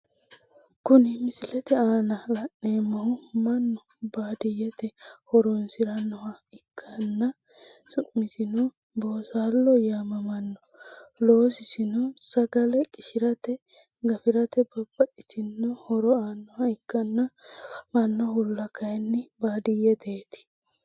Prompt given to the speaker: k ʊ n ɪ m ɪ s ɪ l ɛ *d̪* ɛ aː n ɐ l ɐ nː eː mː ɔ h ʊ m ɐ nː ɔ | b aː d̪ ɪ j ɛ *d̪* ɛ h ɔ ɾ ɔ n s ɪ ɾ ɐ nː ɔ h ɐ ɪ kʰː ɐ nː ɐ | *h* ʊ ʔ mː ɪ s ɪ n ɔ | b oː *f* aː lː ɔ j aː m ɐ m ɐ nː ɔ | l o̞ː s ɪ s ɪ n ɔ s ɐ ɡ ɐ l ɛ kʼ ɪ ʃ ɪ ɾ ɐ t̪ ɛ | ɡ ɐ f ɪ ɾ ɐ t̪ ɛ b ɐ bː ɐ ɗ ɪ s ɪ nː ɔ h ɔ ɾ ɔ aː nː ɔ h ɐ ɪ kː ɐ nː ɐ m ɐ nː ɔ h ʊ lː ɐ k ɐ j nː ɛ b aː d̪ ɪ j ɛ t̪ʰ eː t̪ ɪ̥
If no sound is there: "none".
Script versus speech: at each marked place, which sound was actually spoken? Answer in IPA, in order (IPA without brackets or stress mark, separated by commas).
t̪, t̪, s, s